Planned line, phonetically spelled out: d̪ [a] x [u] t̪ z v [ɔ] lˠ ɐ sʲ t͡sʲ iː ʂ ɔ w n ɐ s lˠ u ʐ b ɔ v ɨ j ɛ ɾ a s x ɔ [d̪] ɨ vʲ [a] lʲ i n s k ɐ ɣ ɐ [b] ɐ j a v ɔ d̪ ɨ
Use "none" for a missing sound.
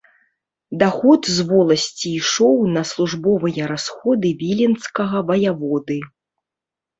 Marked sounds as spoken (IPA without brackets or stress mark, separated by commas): a, ɔ, ɔ, d̪, i, v